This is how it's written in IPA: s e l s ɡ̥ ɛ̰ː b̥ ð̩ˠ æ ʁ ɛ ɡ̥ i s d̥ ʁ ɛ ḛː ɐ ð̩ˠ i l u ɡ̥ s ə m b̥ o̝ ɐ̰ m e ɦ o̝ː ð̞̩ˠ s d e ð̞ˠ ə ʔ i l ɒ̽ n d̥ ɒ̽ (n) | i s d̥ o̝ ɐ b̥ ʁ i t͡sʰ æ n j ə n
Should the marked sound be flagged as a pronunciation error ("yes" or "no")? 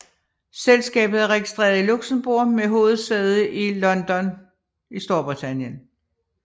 no